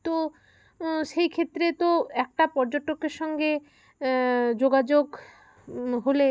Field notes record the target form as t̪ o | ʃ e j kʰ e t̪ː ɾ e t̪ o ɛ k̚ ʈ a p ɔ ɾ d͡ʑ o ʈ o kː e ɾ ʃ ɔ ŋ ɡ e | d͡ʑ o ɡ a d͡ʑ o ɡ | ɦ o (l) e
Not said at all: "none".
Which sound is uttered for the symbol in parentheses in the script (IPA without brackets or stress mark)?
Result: l